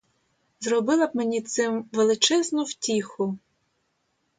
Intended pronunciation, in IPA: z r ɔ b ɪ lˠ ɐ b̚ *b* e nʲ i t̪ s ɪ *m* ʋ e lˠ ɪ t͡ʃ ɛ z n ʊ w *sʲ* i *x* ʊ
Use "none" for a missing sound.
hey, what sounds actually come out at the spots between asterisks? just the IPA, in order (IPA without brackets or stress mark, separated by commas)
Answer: m, m, tʲ, x